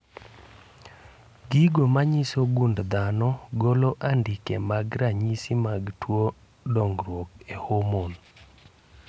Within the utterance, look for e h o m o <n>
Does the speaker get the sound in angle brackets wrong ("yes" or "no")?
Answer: no